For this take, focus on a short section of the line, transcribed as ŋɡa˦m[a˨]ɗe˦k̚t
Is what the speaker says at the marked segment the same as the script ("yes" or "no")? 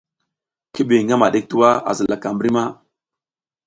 yes